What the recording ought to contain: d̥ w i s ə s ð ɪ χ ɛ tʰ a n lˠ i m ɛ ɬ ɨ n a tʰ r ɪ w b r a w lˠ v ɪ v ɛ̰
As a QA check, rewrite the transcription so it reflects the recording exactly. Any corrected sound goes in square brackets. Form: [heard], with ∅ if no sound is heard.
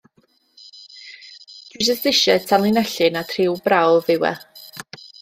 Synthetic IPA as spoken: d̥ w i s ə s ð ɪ [ʃ] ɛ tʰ a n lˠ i [n] ɛ ɬ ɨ n a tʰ r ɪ w b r a w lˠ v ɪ [w] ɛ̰